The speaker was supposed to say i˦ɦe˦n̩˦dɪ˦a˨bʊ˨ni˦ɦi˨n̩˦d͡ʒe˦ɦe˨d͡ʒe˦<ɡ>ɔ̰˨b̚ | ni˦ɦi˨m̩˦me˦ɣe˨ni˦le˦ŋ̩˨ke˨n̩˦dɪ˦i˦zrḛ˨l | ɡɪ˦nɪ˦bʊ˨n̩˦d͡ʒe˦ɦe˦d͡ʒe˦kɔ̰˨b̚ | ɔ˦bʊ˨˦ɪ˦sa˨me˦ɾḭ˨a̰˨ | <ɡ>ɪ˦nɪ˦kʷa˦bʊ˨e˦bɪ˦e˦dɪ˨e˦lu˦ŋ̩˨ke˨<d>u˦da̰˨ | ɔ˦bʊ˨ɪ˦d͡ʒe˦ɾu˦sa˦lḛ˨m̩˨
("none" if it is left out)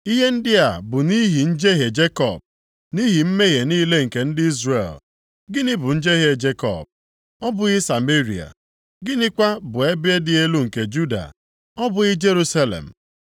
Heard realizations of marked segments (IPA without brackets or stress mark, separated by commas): k, ɡ, d͡ʒ